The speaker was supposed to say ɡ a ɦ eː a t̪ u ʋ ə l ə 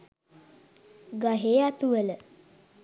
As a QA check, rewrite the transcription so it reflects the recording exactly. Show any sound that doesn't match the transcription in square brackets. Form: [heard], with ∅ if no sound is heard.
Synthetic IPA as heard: ɡ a ɦ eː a t̪ u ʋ ə l ə